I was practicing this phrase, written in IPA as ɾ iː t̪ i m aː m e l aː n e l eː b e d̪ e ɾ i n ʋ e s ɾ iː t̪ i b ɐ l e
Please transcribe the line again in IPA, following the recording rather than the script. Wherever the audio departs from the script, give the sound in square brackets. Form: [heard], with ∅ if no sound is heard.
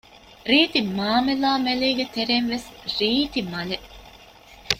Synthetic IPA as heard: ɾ iː t̪ i m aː m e l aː [m] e l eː [ɡ] e [t̪] e ɾ [e] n ʋ e s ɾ iː t̪ i [m] ɐ l e